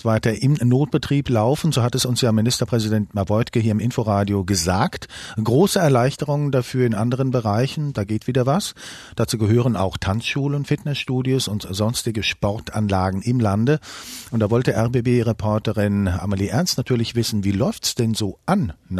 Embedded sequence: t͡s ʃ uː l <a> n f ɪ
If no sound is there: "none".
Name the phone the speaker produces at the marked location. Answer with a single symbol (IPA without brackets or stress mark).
ə